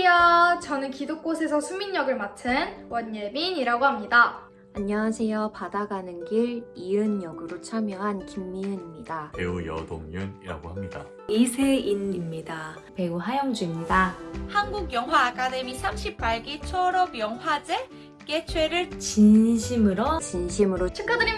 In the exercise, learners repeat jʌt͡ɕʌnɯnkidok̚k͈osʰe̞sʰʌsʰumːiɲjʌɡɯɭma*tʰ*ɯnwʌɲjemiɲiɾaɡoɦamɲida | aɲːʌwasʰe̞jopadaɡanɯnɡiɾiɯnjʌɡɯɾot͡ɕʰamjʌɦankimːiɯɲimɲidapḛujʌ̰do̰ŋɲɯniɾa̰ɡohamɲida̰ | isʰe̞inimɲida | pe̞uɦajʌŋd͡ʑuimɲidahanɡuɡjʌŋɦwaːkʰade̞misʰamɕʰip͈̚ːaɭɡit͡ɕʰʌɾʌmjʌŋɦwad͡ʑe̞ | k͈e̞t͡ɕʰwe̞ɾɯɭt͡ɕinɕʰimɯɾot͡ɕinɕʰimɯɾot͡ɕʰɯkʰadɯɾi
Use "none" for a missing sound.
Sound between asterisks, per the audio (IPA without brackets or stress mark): tʰ